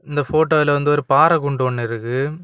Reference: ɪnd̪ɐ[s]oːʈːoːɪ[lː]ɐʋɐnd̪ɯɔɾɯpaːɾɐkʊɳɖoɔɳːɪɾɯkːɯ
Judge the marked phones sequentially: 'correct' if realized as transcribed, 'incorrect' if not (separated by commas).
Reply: incorrect, incorrect